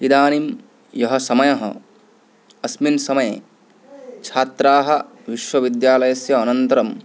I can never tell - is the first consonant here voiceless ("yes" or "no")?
no